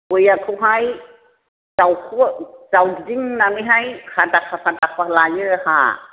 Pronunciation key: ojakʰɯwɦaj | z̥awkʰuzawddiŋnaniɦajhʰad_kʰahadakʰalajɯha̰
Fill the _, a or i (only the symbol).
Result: a